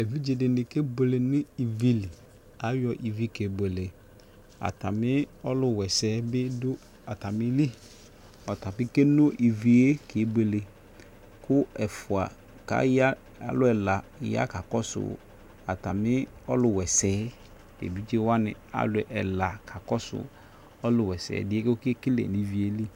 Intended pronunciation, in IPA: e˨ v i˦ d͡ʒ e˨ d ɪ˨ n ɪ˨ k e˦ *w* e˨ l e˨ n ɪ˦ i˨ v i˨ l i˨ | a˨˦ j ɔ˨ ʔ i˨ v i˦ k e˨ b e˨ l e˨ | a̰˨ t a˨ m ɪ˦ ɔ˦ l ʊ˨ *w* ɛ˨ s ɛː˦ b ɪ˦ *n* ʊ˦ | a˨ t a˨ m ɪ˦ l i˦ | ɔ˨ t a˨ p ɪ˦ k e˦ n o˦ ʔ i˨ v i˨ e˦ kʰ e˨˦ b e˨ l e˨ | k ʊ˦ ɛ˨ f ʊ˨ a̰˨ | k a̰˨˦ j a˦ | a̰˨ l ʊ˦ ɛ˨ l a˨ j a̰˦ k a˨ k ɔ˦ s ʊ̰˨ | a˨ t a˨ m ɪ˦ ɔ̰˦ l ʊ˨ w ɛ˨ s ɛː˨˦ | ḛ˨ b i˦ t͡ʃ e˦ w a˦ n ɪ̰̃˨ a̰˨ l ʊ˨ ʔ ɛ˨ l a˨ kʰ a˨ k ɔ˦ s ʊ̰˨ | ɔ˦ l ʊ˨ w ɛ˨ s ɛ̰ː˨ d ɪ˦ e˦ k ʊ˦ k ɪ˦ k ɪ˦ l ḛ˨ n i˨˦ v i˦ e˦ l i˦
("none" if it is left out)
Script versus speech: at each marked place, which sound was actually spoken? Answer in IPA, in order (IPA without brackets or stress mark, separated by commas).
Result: b, w, d